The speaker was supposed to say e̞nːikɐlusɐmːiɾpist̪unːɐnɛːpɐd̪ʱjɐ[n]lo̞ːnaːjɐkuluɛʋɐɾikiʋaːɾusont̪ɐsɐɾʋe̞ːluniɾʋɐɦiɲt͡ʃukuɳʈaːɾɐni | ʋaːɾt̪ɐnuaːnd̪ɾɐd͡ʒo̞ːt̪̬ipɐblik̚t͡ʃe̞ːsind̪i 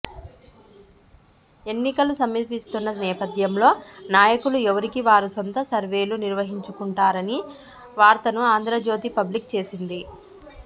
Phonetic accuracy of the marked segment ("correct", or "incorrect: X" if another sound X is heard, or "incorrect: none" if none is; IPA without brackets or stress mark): incorrect: m